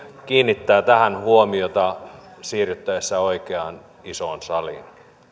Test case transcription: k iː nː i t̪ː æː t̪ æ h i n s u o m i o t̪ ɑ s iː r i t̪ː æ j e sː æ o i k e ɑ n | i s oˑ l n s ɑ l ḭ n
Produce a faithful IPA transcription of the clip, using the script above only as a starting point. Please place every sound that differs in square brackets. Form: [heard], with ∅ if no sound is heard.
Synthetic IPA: k iː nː i t̪ː æː t̪ æ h [æ] n [h] u o m i o t̪ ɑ s iː r [y] t̪ː æ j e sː æ o i k e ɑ n | i s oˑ [∅] n s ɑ l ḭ n